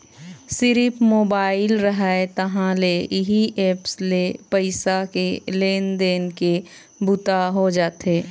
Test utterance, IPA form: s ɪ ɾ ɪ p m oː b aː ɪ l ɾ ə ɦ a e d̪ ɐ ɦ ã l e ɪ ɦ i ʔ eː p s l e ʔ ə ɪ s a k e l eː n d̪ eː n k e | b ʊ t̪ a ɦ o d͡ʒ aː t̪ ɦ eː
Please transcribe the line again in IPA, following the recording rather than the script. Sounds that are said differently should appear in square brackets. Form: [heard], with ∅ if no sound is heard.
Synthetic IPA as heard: s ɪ ɾ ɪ p m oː b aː ɪ l ɾ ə ɦ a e [t̪] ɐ ɦ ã l e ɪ ɦ i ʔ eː p s l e [p] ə ɪ s a k e l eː n d̪ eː n k e | b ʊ t̪ a ɦ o d͡ʒ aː t̪ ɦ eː